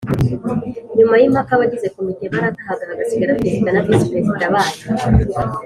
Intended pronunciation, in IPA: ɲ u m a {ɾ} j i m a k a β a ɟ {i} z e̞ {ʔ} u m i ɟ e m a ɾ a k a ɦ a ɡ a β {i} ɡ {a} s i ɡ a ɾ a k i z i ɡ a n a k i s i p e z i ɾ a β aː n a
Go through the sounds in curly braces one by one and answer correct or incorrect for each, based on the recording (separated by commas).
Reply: incorrect, correct, incorrect, incorrect, correct